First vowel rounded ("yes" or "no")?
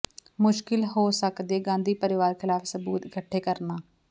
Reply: yes